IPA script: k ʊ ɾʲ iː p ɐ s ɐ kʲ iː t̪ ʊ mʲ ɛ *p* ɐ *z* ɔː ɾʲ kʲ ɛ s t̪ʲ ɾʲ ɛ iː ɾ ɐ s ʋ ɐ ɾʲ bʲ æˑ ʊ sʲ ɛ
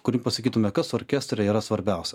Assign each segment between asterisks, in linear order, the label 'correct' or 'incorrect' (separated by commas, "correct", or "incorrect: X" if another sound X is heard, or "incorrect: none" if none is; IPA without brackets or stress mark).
incorrect: k, incorrect: s